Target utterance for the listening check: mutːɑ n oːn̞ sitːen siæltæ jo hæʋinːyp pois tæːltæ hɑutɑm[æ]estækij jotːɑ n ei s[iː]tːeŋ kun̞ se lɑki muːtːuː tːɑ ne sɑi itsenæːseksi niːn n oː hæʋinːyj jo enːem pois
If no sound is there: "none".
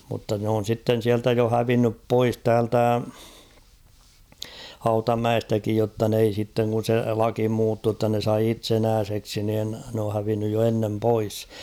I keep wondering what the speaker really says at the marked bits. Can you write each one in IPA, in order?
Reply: æ, i

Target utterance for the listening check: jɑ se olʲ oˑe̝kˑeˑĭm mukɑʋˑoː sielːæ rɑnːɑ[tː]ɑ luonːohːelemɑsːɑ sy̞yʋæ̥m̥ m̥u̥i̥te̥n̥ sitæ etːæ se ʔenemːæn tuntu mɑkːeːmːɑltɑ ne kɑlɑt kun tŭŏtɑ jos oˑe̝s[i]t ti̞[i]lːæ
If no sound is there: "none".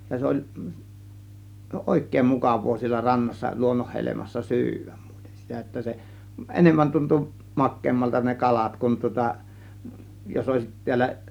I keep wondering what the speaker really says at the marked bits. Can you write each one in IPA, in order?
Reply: sː, i, æ

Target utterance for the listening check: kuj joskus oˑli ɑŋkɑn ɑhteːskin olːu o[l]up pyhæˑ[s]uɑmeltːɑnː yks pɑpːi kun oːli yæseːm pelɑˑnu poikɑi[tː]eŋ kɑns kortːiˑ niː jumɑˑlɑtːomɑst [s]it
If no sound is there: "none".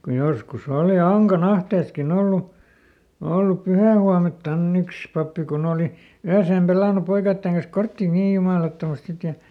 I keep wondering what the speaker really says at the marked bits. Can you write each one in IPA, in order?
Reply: lː, h, tː, s

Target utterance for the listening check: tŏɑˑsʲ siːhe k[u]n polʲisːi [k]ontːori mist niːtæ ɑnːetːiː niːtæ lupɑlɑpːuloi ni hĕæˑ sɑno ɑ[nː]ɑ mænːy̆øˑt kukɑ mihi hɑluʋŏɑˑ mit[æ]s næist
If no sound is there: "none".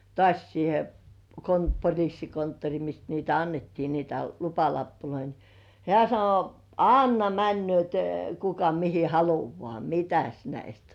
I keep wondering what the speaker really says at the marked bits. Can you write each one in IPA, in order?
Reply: o, k, nː, æ

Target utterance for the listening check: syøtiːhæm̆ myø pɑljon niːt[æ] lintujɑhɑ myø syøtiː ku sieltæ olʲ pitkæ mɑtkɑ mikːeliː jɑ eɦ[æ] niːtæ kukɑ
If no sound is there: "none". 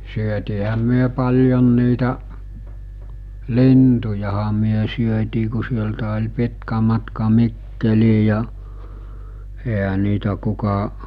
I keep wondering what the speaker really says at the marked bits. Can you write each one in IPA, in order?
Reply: æ, æ

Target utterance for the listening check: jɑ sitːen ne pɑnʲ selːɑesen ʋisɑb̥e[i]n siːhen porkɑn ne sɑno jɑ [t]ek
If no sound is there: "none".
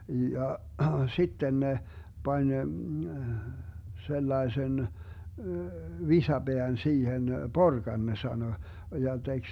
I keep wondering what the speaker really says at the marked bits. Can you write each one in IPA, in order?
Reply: æ, t

